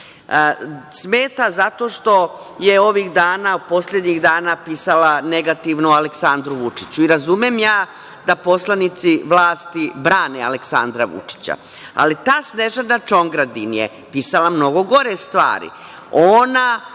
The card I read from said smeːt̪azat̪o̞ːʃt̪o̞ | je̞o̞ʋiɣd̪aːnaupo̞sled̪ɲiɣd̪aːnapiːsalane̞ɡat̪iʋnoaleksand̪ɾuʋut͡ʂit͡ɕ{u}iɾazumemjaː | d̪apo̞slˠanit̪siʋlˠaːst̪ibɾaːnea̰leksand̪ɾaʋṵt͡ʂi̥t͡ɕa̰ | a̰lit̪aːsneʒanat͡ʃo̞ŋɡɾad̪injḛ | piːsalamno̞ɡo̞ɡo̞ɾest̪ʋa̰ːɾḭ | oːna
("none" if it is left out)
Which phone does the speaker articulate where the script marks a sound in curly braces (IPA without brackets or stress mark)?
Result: u